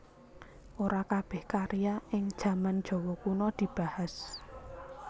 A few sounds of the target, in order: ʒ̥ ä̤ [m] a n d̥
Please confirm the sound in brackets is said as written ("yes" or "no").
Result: yes